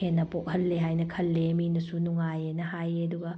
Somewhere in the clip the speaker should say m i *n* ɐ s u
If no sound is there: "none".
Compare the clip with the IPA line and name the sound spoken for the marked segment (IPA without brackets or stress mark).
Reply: n